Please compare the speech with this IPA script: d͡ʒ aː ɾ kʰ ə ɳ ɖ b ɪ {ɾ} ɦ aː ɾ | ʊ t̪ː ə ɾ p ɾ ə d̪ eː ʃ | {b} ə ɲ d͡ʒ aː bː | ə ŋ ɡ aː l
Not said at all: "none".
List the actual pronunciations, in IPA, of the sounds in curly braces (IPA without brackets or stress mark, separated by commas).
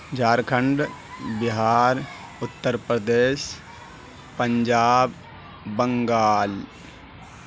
none, p